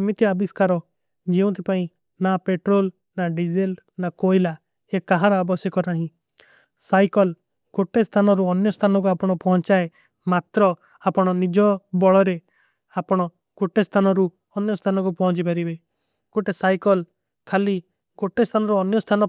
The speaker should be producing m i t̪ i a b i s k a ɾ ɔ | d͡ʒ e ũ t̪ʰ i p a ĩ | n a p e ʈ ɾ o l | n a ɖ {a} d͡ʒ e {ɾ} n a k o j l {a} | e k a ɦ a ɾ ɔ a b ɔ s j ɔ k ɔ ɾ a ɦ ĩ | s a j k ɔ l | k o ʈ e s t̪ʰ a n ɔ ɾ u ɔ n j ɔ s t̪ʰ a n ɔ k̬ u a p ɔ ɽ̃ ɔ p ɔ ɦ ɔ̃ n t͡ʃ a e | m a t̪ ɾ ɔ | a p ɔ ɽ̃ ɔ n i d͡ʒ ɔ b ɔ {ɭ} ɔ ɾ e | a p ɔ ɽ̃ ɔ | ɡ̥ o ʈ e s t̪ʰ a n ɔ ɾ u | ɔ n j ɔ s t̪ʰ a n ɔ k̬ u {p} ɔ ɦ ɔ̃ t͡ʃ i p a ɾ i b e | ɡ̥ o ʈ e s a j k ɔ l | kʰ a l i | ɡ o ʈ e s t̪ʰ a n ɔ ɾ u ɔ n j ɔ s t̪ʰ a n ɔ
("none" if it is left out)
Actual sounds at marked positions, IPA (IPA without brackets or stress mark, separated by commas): i, l, a, ɭ, p